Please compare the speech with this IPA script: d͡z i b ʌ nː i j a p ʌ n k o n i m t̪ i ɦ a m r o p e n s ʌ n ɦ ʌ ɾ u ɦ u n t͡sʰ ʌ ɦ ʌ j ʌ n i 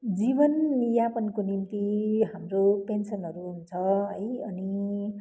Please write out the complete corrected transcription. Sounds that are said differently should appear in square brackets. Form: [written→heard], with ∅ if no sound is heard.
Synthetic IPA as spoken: d͡z i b ʌ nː i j a p ʌ n k o n i m t̪ i ɦ a m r o p e n s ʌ n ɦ ʌ ɾ u ɦ u n t͡sʰ ʌ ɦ ʌ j ʌ n i